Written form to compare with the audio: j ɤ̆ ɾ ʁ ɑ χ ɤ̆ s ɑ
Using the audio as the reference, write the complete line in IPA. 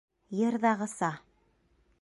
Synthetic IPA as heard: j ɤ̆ ɾ ð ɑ ʁ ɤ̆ s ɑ